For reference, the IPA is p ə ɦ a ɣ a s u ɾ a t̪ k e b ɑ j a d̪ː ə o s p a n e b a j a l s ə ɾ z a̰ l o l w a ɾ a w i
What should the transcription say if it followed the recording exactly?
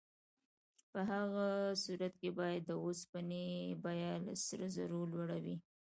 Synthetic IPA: p ə ɦ a ɣ a s u ɾ a t̪ k e b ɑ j a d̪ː ə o s p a n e b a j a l s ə ɾ z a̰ ɾ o l w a ɽ a w i